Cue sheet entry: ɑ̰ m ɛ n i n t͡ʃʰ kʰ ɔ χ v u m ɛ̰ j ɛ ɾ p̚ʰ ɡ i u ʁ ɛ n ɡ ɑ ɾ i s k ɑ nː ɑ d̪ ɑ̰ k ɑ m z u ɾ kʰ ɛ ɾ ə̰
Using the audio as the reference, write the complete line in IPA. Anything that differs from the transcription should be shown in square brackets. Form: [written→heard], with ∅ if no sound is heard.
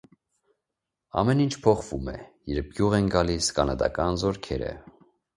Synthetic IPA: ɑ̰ m ɛ n i n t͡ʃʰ [kʰ→pʰ] ɔ χ v u m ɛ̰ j ɛ ɾ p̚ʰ ɡ [i→j] u ʁ ɛ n ɡ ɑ [ɾ→l] i s k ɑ [nː→n] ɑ d̪ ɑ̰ k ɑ [m→n] z [u→ɔ] ɾ kʰ ɛ ɾ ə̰